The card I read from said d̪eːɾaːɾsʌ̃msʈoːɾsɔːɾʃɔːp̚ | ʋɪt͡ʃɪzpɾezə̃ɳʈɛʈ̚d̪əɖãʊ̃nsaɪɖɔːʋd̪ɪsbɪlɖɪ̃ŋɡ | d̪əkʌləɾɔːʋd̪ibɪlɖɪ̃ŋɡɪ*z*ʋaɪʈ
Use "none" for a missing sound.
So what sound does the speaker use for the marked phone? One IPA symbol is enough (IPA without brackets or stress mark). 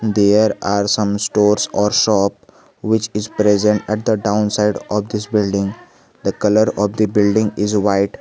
z